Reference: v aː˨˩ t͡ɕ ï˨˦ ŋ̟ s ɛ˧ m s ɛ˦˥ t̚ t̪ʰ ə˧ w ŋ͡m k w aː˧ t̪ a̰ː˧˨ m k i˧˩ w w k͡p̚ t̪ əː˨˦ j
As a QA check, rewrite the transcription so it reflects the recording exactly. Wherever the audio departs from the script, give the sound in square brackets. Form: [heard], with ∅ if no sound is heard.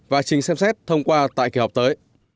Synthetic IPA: v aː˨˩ t͡ɕ [ï˨˩] ŋ̟ s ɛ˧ m s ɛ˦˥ t̚ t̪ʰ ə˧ w ŋ͡m k w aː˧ t̪ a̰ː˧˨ [∅] k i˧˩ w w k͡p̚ t̪ əː˨˦ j